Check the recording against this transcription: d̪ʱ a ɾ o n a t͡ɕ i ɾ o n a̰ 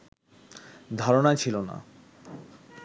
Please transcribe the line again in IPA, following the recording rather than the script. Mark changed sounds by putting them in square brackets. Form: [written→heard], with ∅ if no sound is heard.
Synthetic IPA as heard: d̪ʱ a ɾ o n a [t͡ɕ→t͡ɕʰ] i [ɾ→l] o n a̰